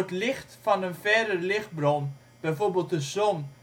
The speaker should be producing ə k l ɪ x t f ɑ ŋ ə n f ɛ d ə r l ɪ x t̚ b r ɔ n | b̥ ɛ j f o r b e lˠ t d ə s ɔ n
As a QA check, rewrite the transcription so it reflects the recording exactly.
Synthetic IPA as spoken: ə t l ɪ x t f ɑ n ə n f ɛ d ə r l ɪ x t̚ b r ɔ n | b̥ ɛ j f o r b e lˠ t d ə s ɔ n